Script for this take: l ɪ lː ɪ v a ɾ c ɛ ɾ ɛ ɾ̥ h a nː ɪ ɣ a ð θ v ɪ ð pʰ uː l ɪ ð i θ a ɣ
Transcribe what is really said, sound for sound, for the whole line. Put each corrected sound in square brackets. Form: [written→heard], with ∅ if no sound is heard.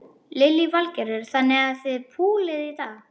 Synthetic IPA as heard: l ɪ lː [ɪ→i] v a [ɾ→l] c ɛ ɾ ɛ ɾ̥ [h→θ] a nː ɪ ɣ a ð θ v ɪ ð pʰ uː l ɪ ð i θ a ɣ